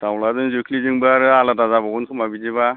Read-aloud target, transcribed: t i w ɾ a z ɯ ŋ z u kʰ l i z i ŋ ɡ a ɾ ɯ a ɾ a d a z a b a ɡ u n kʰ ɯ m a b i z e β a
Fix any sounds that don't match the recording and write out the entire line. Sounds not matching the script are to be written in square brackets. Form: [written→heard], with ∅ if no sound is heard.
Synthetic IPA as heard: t [i→a] w [ɾ→l] a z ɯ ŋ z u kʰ l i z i ŋ [ɡ→b] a ɾ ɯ a [ɾ→l] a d a z a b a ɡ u n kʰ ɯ m a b i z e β a